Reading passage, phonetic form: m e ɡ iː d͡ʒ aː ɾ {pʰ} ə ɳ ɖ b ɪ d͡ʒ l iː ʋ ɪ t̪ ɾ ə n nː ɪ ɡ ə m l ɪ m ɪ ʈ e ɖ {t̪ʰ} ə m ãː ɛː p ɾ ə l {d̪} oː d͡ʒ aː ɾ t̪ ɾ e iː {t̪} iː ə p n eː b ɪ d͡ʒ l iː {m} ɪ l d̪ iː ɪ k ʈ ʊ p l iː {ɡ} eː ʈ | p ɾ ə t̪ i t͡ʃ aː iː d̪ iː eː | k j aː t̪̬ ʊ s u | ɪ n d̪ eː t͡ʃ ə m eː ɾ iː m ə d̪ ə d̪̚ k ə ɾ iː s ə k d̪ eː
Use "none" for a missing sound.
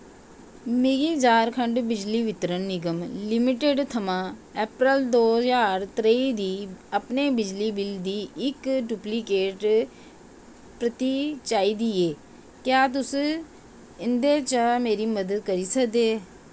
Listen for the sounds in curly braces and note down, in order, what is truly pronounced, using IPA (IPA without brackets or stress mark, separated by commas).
kʰ, t̪ʰ, d̪, d̪, b, k